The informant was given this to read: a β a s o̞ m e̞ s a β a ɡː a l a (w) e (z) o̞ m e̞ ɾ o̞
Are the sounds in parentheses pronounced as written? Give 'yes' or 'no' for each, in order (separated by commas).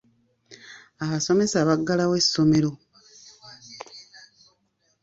yes, no